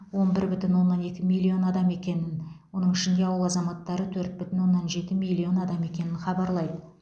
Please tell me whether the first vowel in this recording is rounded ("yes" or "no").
yes